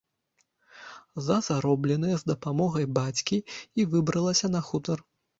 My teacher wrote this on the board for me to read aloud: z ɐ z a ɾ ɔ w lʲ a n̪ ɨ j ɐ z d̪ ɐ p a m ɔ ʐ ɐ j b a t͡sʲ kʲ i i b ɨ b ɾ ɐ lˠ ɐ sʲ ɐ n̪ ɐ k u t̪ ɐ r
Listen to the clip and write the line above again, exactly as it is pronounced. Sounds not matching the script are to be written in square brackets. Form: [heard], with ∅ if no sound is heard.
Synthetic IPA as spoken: z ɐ z a ɾ ɔ [b] lʲ [ɛ] n̪ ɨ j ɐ z d̪ ɐ p a m ɔ [ɣ] ɐ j b a t͡sʲ kʲ i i [v] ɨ b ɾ ɐ lˠ ɐ sʲ ɐ n̪ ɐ [x] u t̪ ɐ r